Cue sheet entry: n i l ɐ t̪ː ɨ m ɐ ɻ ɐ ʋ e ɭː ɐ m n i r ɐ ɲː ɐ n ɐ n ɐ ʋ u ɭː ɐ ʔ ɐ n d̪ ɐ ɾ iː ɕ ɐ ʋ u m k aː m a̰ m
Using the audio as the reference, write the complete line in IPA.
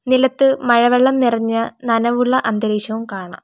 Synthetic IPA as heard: n i l ɐ t̪ː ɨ m ɐ ɻ ɐ ʋ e ɭː ɐ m n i r ɐ ɲː ɐ n ɐ n ɐ ʋ u ɭː ɐ ʔ ɐ n d̪ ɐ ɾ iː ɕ ɐ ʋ u m k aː ɳ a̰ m